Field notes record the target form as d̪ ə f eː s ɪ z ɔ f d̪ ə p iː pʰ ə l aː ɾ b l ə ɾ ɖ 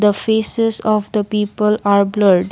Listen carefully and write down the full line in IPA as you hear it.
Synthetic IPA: d̪ ə f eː s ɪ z ɔ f d̪ ə p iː p ə l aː ɾ b l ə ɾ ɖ